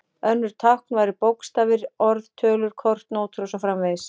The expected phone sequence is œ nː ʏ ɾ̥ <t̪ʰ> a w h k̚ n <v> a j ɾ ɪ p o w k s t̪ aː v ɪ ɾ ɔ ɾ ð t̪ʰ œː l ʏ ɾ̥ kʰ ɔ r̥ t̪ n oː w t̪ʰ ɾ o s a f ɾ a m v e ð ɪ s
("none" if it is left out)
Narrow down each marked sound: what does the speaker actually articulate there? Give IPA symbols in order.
t̪ʰ, v

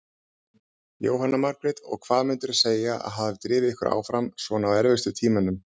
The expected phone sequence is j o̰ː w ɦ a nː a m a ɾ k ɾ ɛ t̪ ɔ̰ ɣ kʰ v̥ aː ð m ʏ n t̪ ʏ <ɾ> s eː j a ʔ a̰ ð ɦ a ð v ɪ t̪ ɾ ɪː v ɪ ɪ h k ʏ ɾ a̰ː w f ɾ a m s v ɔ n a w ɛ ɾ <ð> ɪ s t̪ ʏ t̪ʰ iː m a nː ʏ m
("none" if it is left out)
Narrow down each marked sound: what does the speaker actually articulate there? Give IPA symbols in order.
ɾ, v

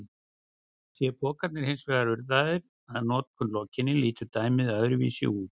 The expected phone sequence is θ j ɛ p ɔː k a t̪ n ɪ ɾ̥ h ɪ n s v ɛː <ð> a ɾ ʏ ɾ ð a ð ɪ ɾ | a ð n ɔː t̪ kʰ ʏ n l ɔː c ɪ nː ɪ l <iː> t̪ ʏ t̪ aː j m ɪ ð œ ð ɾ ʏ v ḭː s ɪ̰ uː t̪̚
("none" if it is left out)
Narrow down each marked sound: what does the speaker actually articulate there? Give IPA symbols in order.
ɣ, iː

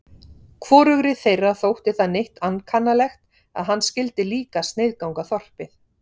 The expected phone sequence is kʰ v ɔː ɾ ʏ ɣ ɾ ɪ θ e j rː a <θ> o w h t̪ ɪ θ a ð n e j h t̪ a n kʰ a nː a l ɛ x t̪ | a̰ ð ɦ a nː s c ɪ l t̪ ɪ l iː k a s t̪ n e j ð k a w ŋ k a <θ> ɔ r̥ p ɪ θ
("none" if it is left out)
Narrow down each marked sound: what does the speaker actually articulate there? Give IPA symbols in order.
θ, θ

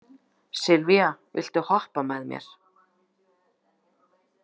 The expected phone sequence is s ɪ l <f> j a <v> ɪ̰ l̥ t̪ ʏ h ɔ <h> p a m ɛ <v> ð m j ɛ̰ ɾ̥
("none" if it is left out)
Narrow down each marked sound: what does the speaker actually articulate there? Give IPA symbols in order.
v, v, h, none

